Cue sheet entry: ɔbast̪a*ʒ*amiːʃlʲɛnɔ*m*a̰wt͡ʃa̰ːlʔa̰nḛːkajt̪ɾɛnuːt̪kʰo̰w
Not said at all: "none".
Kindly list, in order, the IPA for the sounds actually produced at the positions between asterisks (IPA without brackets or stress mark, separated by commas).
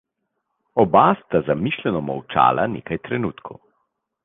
z, m